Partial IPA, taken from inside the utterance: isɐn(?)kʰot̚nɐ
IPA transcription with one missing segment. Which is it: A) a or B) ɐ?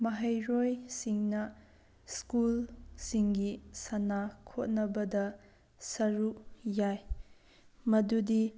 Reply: A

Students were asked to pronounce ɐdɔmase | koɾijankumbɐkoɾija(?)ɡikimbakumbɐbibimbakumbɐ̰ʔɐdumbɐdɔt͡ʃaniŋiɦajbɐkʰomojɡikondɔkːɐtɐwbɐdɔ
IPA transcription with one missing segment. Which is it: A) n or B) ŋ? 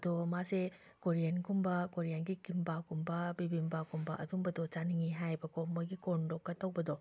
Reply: A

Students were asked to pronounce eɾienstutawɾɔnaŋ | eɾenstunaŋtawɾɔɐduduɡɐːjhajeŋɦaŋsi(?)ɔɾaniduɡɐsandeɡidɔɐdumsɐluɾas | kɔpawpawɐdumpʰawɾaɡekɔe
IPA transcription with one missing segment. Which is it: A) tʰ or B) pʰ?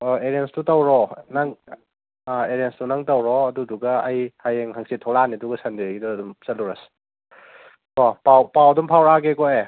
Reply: A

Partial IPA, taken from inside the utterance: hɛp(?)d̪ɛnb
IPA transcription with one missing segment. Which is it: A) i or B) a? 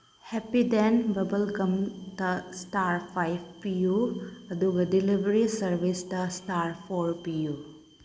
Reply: A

